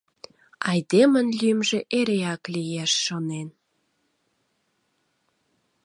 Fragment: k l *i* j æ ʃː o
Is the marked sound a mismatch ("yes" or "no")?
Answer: no